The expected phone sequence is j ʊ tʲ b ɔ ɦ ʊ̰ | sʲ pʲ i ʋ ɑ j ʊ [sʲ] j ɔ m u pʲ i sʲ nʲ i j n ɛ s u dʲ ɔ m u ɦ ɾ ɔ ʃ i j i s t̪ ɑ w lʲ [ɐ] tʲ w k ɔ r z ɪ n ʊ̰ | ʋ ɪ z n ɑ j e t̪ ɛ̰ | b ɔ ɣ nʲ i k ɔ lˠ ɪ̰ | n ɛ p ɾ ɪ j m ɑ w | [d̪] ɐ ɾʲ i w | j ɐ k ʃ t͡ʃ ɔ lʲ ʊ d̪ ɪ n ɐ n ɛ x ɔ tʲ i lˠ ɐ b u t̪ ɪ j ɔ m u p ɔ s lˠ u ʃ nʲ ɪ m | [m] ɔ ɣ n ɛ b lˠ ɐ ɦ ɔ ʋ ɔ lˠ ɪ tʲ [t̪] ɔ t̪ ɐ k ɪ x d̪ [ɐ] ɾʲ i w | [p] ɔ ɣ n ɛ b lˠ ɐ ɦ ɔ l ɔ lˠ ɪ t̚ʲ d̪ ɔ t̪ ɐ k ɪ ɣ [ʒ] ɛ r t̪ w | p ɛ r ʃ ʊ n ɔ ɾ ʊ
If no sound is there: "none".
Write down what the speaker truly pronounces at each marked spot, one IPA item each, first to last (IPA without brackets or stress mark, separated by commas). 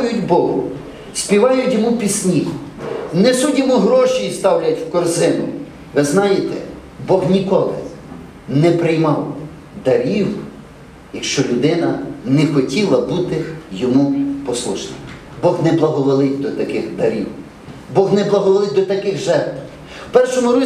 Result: tʲ, ɐ, d̪, b, d̪, ɐ, b, ʒ